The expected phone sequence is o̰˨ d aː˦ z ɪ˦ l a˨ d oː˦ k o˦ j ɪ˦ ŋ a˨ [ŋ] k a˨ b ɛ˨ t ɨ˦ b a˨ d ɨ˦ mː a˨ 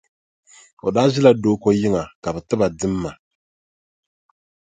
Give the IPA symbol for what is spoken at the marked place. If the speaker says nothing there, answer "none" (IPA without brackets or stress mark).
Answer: none